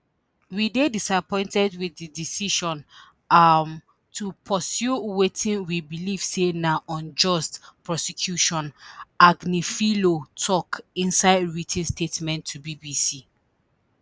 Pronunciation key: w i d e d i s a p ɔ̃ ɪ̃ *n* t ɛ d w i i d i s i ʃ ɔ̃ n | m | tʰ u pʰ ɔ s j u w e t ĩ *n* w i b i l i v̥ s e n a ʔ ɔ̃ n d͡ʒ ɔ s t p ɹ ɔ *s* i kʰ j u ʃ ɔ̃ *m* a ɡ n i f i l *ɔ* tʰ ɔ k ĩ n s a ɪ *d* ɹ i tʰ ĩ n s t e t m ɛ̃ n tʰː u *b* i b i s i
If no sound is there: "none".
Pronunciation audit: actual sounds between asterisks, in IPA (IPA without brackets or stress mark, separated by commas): n, n, s, n, o, d, b